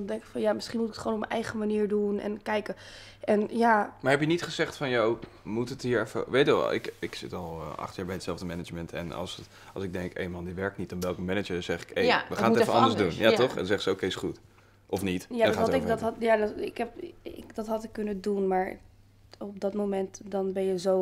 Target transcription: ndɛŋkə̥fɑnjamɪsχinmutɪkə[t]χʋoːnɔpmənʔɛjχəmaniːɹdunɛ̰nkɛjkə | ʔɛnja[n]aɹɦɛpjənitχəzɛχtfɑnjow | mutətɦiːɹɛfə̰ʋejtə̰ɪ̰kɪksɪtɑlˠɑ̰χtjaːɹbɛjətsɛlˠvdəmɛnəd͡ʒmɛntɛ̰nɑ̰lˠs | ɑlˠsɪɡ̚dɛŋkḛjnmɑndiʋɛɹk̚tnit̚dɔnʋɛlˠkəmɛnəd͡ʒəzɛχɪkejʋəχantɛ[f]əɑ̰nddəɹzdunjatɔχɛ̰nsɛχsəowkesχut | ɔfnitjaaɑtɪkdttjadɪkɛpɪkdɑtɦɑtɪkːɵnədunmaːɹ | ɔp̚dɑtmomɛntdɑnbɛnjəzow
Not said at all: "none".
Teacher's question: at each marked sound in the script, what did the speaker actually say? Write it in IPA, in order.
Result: t, m, f

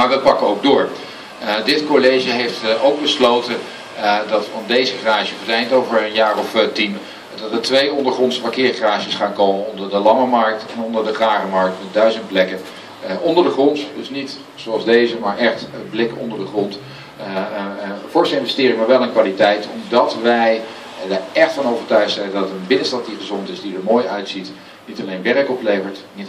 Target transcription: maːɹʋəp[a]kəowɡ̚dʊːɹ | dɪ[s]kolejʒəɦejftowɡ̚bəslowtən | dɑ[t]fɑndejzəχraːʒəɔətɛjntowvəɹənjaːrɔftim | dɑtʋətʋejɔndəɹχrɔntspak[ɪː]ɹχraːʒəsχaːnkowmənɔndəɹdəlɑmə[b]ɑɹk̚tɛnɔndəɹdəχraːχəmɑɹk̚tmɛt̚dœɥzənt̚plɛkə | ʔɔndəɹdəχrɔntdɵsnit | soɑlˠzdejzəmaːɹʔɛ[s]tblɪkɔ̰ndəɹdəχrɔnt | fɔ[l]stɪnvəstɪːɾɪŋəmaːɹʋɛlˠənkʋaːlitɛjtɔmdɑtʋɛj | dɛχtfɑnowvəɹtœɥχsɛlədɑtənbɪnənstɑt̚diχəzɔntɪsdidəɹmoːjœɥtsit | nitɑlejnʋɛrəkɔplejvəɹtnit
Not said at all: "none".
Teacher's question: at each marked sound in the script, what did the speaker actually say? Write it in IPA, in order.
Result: ɑ, t, t, ɪː, m, χ, ɹ

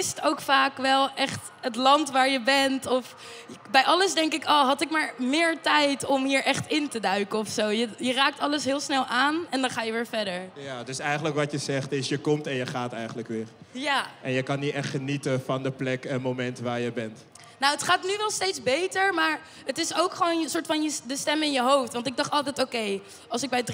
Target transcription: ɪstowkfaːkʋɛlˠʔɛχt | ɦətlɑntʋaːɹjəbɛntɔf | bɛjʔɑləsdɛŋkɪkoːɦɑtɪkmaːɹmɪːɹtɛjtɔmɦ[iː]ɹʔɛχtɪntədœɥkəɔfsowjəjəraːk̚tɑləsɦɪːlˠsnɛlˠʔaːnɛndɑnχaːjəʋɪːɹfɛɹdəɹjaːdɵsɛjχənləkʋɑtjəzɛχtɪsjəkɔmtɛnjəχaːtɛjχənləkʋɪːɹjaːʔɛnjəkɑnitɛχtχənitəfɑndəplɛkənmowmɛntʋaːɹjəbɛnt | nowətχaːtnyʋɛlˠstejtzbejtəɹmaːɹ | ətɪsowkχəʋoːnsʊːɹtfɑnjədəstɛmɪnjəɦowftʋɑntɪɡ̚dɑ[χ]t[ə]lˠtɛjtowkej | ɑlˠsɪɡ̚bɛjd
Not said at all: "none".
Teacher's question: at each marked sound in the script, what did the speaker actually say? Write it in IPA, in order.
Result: iː, χ, ɑ

